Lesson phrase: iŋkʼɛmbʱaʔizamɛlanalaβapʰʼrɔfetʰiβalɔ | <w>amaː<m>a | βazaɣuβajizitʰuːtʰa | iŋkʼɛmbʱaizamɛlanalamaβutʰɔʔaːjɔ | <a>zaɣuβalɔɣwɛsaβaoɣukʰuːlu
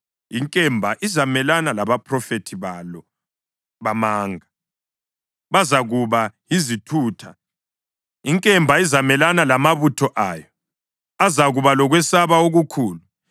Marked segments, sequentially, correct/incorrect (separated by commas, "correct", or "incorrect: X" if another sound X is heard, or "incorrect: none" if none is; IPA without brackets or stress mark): incorrect: β, incorrect: ŋ, correct